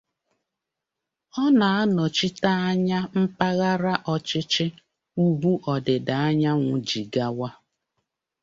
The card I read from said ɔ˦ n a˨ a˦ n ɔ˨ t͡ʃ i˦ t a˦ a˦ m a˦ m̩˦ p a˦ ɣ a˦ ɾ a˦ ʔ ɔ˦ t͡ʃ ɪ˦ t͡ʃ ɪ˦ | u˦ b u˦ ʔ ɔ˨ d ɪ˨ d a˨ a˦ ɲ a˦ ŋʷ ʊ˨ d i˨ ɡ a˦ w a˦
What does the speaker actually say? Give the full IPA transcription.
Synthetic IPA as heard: ɔ˦ n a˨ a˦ n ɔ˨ t͡ʃ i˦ t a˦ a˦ ɲ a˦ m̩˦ p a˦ ɣ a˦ ɾ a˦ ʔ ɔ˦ t͡ʃ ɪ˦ t͡ʃ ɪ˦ | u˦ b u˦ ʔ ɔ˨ d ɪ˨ d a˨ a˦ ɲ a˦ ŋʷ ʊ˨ d͡ʒ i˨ ɡ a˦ w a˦